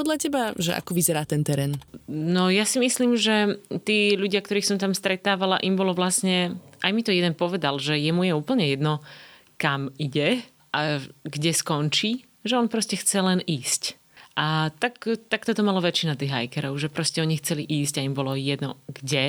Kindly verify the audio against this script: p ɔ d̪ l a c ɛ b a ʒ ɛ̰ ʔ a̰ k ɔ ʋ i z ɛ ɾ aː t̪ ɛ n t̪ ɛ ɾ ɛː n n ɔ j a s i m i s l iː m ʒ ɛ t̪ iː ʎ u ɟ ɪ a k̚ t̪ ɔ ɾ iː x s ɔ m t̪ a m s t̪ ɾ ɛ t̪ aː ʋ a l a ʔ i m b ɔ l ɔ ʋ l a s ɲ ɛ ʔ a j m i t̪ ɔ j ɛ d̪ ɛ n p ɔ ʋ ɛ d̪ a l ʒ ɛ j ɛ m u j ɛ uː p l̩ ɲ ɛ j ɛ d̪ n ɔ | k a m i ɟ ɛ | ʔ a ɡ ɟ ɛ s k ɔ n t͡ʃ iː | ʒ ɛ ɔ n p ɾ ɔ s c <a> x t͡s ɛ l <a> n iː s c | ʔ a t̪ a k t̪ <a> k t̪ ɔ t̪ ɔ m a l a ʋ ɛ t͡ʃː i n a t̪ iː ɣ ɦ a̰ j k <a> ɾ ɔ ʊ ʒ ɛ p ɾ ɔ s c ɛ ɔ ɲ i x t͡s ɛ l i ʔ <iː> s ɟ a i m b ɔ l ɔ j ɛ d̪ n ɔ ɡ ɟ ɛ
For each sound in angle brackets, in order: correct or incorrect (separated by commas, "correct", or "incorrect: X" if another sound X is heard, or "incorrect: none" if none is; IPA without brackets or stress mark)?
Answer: incorrect: ɛ, incorrect: ɛ, correct, incorrect: ɛ, correct